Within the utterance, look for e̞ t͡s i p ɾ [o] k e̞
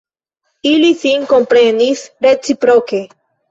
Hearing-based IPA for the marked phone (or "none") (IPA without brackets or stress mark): o